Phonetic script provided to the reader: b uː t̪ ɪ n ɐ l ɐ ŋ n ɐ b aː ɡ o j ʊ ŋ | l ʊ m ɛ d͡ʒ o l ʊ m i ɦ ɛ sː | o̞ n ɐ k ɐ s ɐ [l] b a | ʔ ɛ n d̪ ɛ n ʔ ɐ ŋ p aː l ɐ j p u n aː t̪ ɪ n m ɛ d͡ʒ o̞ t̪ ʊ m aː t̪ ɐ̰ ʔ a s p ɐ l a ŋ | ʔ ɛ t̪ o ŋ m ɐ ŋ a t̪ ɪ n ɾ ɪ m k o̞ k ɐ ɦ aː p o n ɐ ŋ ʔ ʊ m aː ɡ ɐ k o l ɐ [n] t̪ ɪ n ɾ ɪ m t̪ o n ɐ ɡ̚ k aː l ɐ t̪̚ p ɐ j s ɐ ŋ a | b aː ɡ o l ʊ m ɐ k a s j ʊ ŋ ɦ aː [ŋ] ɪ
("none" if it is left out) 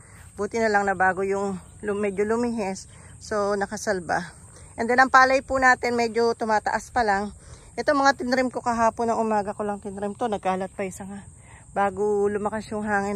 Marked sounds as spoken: l, ŋ, ŋ

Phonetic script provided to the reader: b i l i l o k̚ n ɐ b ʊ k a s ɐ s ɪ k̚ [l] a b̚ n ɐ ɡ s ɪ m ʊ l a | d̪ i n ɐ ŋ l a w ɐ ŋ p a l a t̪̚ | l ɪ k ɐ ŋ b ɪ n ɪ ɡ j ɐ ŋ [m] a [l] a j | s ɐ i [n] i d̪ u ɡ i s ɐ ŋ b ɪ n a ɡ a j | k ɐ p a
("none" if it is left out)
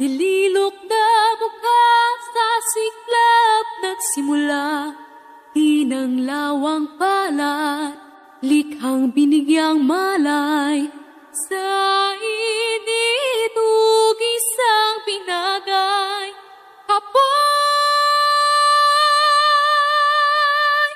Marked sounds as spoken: l, m, l, n

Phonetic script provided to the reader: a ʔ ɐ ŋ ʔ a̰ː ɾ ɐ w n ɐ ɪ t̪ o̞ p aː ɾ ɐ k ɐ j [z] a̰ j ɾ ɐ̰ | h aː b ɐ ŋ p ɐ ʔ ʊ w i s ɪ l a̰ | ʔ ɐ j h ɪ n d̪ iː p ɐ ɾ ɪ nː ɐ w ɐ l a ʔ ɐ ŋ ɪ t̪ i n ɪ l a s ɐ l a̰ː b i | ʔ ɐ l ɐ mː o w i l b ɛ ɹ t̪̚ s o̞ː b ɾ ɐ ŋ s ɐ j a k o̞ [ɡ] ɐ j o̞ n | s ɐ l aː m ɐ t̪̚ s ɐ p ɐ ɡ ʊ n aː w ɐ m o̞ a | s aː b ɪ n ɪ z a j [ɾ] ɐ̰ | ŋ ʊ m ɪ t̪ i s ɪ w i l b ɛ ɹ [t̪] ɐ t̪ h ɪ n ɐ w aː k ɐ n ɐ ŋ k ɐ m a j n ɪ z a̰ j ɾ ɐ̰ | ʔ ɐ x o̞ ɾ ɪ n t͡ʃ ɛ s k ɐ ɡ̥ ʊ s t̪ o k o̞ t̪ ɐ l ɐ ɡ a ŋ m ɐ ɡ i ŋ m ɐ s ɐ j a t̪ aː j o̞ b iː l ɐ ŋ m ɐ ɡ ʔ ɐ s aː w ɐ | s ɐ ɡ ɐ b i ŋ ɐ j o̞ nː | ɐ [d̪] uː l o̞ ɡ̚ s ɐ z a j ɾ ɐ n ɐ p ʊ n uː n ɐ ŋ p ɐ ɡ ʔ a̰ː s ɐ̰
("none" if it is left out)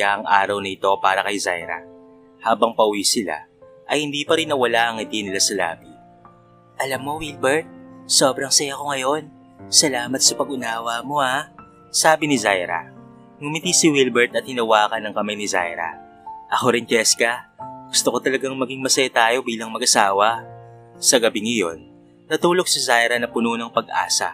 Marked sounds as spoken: z, ŋ, ɾ, t̪, t̪

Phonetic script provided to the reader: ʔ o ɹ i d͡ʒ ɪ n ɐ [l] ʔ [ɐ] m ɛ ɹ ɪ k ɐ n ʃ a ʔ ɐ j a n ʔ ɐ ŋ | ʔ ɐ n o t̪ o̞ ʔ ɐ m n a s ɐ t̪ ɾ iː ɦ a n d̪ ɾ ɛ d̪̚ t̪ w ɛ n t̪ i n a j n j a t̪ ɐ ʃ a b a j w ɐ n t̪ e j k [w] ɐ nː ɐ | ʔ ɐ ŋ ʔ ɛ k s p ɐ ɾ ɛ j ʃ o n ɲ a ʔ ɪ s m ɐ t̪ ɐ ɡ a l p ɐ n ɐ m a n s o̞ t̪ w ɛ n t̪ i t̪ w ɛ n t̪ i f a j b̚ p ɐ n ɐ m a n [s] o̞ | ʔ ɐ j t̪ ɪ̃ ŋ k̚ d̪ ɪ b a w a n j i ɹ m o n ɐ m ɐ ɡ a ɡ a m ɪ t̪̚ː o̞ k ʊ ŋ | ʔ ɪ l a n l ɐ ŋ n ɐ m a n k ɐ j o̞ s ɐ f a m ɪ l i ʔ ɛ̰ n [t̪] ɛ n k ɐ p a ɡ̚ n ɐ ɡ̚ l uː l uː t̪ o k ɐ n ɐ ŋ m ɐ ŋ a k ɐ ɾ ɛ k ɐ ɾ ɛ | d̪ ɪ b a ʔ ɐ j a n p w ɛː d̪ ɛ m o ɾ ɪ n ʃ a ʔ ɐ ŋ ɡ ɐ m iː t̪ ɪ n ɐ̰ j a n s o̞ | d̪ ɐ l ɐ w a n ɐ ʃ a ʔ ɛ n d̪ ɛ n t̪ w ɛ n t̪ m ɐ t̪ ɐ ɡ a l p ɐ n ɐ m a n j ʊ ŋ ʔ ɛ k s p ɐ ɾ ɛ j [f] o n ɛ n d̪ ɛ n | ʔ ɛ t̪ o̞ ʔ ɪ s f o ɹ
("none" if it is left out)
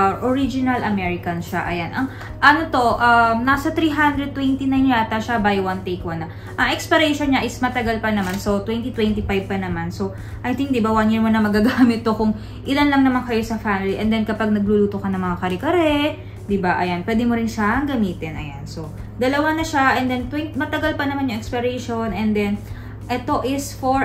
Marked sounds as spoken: l, ɐ, w, s, d̪, ʃ

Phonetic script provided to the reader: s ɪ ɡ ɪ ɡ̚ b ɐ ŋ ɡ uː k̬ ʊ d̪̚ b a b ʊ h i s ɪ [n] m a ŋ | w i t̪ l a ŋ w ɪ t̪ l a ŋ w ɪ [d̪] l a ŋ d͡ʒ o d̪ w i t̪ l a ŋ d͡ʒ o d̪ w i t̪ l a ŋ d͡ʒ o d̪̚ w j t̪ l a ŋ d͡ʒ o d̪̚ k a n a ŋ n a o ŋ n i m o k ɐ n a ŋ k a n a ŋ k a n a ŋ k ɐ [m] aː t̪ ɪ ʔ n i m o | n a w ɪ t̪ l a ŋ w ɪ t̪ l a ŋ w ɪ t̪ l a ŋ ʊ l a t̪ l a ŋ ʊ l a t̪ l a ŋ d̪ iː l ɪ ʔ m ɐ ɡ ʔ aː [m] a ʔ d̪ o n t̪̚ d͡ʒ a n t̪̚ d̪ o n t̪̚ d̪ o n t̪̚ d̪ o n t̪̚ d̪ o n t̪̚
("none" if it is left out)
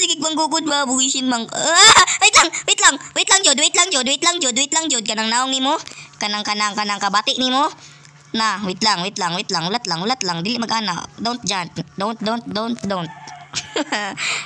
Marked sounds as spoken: n, t̪, b, n

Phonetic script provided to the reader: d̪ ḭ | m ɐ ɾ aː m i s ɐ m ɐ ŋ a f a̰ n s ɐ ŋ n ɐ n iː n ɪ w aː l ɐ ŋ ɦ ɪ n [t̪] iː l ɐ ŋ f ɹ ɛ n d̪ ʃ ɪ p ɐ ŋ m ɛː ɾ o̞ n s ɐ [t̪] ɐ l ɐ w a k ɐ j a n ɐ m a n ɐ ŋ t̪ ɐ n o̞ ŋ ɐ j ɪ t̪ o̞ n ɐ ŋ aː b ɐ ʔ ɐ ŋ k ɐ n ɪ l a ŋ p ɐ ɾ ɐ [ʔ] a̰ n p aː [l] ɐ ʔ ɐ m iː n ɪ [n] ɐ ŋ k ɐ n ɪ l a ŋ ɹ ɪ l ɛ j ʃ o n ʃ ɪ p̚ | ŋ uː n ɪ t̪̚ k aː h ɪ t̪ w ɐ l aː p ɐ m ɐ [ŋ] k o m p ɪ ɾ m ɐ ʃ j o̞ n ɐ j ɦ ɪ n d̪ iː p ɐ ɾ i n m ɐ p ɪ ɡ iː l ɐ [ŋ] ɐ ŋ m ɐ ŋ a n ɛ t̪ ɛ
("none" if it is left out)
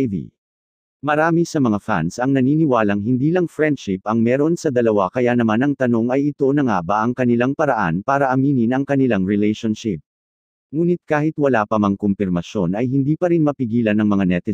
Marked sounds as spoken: d̪, d̪, ʔ, ɾ, n, ŋ, n

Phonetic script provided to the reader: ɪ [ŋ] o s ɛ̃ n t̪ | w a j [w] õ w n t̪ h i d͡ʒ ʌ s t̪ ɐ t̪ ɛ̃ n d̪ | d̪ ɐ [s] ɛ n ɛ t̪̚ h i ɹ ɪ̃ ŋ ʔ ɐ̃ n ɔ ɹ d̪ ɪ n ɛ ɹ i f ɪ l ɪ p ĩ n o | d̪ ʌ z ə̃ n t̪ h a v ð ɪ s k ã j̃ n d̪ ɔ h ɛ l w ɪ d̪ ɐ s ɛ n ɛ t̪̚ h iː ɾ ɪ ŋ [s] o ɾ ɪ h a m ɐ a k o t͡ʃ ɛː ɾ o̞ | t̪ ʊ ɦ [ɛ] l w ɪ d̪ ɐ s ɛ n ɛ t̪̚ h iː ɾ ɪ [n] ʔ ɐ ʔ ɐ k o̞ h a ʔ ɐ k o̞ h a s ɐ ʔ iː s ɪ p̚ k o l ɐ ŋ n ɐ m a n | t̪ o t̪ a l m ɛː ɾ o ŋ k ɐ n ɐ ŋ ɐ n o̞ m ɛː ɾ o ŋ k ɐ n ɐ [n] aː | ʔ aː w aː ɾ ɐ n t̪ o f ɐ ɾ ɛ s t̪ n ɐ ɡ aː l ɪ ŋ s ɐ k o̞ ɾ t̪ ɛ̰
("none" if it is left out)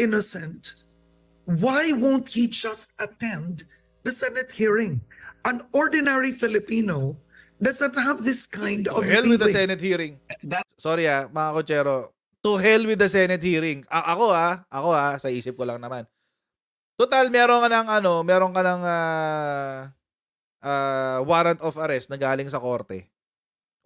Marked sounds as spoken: n, w, s, s, ɛ, ŋ, ŋ

